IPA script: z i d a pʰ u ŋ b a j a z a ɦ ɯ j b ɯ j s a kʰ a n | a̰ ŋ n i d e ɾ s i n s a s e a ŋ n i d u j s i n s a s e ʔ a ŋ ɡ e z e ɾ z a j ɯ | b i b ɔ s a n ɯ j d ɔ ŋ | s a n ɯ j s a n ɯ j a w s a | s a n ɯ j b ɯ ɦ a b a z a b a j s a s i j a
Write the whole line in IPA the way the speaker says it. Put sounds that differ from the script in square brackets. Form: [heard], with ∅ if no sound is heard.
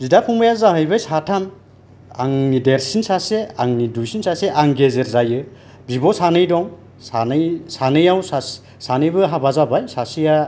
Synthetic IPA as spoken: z i d a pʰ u ŋ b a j a z a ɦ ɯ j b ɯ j s a [tʰ] a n | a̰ ŋ n i d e ɾ s i n s a s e a ŋ n i d u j s i n s a s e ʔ a ŋ ɡ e z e ɾ z a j ɯ | b i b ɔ s a n ɯ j d ɔ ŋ | s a n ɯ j s a n ɯ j a w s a | s a n ɯ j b ɯ ɦ a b a z a b a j s a s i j a